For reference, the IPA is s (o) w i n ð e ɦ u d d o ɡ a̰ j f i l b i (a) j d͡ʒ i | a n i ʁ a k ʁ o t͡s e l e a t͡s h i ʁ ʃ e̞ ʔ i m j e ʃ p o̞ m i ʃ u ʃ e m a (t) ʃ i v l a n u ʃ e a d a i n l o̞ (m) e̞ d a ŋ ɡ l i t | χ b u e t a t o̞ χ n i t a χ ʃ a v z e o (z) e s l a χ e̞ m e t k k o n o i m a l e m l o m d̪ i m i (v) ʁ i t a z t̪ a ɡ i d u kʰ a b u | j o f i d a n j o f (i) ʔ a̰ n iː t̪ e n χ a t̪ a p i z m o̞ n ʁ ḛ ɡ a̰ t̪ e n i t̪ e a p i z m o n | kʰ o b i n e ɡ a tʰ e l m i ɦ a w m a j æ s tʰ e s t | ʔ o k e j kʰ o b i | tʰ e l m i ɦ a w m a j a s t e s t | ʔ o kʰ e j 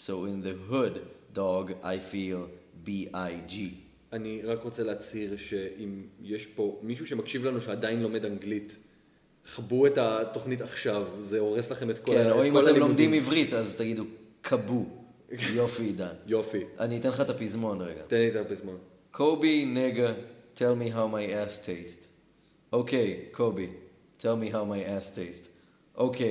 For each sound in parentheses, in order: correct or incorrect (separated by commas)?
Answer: correct, correct, incorrect, correct, incorrect, correct, correct